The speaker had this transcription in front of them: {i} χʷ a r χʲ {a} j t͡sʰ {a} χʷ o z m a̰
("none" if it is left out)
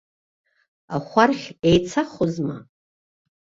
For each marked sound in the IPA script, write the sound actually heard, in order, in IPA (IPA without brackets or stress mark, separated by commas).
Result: a, e, a